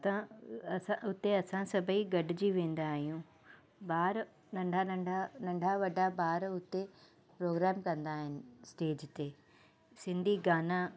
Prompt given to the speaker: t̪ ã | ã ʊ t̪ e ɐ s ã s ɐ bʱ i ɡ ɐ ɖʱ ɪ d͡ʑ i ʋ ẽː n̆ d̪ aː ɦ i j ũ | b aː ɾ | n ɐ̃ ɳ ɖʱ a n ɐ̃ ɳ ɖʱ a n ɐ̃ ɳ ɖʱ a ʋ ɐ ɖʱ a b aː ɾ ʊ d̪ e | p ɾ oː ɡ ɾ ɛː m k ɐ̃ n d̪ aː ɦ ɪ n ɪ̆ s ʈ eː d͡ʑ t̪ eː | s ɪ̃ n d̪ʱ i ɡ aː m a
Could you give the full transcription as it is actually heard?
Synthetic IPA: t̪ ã | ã ʊ t̪ e ɐ s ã s ɐ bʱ i ɡ ɐ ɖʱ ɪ d͡ʑ i ʋ ẽː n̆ d̪ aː ɦ i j ũ | b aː ɾ | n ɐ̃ ɳ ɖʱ a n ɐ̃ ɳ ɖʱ a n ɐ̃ ɳ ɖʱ a ʋ ɐ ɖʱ a b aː ɾ ʊ t̪ e | p ɾ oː ɡ ɾ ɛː m k ɐ̃ n d̪ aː ɦ ɪ n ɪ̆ s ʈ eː d͡ʑ t̪ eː | s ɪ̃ n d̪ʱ i ɡ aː n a

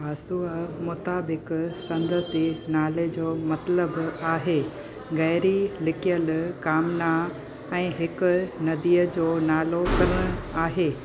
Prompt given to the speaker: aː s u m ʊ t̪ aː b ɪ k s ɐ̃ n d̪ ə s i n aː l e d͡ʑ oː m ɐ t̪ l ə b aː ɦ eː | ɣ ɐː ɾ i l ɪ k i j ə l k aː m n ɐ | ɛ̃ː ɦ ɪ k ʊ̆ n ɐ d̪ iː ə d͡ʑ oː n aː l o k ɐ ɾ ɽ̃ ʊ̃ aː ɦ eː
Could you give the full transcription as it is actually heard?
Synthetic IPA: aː s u m ʊ t̪ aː b ɪ k s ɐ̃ n d̪ ə s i n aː l e d͡ʑ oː m ɐ t̪ l ə b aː ɦ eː | ɣ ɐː ɾ i l ɪ k i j ə l k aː m n a | ɛ̃ː ɦ ɪ k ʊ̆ n ɐ d̪ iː ə d͡ʑ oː n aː l o k ɐ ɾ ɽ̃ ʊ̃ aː ɦ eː

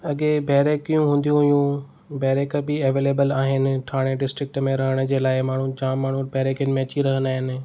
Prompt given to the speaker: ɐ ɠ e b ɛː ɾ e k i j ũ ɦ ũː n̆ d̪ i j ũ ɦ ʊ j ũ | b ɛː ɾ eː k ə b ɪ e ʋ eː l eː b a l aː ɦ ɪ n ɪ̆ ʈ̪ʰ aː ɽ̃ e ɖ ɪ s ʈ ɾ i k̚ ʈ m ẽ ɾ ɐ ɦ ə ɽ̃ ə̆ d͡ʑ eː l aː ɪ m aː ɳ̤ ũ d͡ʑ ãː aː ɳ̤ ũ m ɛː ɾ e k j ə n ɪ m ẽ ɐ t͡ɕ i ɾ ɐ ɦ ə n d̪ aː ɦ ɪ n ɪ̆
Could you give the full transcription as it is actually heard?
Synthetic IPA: ɐ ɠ e b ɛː ɾ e k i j ũ ɦ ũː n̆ d̪ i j ũ ɦ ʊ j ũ | b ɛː ɾ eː k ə b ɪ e ʋ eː l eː b ə l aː ɦ ɪ n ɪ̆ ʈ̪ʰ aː ɽ̃ e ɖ ɪ s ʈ ɾ ɪ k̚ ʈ m ẽ ɾ ɐ ɦ ə ɽ̃ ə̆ d͡ʑ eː l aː ɪ m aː ɳ̤ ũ d͡ʑ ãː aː ɳ̤ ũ b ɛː ɾ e k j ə n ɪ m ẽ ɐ t͡ɕ i ɾ ɐ ɦ ə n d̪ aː ɦ ɪ n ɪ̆

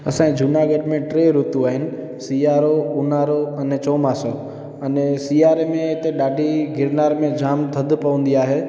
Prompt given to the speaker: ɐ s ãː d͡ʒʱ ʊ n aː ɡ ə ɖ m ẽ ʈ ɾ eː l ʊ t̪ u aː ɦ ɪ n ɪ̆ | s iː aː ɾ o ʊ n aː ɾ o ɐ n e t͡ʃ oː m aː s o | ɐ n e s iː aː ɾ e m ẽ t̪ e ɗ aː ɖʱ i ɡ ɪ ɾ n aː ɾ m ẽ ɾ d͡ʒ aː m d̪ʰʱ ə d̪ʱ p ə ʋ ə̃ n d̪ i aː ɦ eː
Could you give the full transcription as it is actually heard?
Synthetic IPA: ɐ s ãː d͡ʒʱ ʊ n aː ɡ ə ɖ m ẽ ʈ ɾ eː ɾ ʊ t̪ u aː ɦ ɪ n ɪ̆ | s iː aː ɾ o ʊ n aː ɾ o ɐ n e t͡ʃ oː m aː s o | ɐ n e s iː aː ɾ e m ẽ t̪ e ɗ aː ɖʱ i ɡ ɪ ɾ n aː ɾ m ẽ d͡ʒ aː m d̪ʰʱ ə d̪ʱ p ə ʋ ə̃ n d̪ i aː ɦ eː

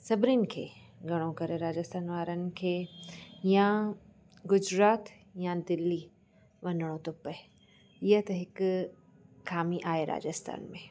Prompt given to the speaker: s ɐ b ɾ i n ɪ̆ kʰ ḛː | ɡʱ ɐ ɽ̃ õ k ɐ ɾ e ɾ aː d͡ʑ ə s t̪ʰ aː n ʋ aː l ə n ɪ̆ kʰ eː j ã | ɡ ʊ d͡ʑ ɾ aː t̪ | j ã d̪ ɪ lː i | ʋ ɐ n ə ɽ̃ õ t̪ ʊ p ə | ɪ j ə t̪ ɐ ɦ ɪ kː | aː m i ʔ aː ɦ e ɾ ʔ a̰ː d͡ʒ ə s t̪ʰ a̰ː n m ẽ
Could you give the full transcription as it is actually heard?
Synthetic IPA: s ɐ b ɾ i n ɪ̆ kʰ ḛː | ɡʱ ɐ ɽ̃ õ k ɐ ɾ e ɾ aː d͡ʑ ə s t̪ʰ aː n ʋ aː ɾ ə n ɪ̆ kʰ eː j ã | ɡ ʊ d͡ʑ ɾ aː t̪ | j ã d̪ ɪ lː i | ʋ ɐ n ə ɽ̃ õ t̪ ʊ p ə | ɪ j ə t̪ ɐ ɦ ɪ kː | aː m i ʔ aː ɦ e ɾ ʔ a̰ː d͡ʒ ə s t̪ʰ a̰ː n m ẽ

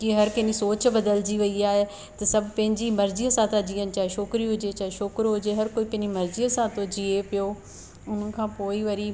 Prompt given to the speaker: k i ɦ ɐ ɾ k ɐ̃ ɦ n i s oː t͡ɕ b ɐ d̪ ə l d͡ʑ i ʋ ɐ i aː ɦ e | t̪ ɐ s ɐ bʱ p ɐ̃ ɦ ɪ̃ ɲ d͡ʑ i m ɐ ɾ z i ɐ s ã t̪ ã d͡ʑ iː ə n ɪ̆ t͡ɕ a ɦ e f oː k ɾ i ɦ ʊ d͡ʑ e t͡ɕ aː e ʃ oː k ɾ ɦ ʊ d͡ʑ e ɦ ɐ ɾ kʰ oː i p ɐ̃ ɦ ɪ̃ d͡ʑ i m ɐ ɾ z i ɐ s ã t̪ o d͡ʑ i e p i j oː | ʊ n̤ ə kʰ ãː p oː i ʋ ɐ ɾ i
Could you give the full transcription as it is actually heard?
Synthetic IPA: k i ɦ ɐ ɾ k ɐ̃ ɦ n i s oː t͡ɕ b ɐ d̪ ə l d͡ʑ i ʋ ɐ i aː ɦ e | t̪ ɐ s ɐ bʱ p ɐ̃ ɦ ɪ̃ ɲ d͡ʑ i m ɐ ɾ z i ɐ s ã t̪ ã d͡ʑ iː ə n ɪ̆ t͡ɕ a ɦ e ʃ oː k ɾ i ɦ ʊ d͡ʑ e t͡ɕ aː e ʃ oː k ɾ ɦ ʊ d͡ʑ e ɦ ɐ ɾ k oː i p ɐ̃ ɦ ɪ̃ d͡ʑ i m ɐ ɾ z i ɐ s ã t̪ o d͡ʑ i e p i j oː | ʊ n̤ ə kʰ ãː p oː i ʋ ɐ ɾ i

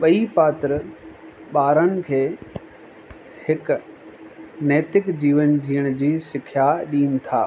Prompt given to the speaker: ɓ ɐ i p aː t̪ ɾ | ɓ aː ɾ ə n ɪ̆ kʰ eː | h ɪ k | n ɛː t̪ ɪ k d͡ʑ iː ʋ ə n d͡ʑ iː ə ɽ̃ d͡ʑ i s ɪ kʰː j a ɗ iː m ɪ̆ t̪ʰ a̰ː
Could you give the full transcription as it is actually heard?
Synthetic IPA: ɓ ɐ i p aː t̪ ɾ | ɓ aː ɾ ə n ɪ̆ kʰ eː | h ɪ k | n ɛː t̪ ɪ k d͡ʑ iː ʋ ə n d͡ʑ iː ə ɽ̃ d͡ʑ iː s ɪ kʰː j a ɗ iː n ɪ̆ t̪ʰ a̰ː

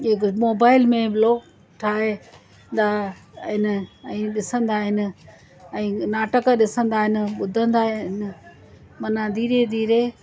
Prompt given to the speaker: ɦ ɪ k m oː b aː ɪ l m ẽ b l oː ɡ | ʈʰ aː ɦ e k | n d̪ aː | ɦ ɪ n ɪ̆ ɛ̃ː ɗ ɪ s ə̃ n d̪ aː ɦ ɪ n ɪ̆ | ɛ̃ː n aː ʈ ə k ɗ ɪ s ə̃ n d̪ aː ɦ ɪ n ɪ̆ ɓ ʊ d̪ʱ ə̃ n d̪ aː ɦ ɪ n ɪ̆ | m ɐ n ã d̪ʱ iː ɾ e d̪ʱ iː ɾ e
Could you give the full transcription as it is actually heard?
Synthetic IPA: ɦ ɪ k m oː b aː ɪ l m ẽ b l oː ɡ | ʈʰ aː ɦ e | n d̪ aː | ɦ ɪ n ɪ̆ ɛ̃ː ɗ ɪ s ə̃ n d̪ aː ɦ ɪ n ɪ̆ | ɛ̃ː n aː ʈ ə k ɗ ɪ s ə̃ n d̪ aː ɦ ɪ n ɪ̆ ɓ ʊ d̪ʱ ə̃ n d̪ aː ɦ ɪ n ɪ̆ | m ɐ n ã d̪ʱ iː ɾ e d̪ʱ iː ɾ e

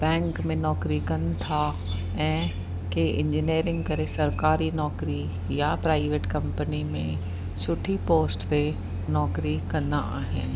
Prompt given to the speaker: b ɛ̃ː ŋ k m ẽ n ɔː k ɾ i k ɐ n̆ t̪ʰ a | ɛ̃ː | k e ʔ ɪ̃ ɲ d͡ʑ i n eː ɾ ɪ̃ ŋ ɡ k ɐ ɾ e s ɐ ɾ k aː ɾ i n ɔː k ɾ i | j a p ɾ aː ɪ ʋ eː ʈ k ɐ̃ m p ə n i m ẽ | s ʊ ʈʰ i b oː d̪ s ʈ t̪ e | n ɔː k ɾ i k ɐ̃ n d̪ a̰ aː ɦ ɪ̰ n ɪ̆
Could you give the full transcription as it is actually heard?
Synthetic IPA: b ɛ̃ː ŋ k m ẽ n ɔː k ɾ i k ɐ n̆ t̪ʰ a | ɛ̃ː | k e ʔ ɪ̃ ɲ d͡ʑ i n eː ɾ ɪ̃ ŋ ɡ k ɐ ɾ e s ɐ ɾ k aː ɾ i n ɔː k ɾ i | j a p ɾ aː ɪ ʋ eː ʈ k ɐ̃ m p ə n i m ẽ | s ʊ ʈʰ i p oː s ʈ t̪ e | n ɔː k ɾ i k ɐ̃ n d̪ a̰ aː ɦ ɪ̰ n ɪ̆

